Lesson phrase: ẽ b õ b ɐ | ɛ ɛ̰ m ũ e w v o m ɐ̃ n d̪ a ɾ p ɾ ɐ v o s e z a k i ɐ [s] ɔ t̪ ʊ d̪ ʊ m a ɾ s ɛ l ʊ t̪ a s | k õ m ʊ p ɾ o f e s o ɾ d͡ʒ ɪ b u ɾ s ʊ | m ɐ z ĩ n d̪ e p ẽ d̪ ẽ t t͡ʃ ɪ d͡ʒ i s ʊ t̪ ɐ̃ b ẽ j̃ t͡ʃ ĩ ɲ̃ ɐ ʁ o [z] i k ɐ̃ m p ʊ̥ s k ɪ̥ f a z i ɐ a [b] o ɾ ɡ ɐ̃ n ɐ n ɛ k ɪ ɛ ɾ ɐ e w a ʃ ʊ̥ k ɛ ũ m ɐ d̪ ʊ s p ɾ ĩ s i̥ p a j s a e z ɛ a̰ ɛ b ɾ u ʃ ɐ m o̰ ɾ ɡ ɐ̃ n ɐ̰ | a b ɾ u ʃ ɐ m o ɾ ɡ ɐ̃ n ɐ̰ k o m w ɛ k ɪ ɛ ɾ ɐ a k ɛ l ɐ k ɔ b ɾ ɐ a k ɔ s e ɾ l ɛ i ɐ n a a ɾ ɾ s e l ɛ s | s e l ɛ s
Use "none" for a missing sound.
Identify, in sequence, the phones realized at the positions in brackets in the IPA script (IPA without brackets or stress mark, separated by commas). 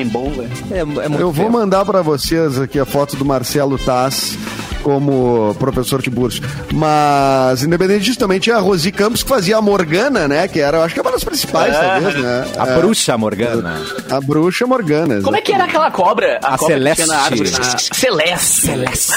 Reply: f, z, m